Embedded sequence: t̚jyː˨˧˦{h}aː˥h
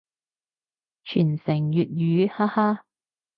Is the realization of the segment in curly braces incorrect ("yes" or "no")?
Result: no